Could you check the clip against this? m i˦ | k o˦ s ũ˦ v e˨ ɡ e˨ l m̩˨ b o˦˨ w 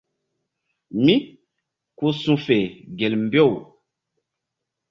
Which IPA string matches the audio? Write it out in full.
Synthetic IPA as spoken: m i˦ | k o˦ s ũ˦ f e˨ ɡ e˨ l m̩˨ b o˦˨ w